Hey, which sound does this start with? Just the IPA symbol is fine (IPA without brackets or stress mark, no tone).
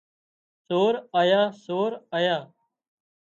s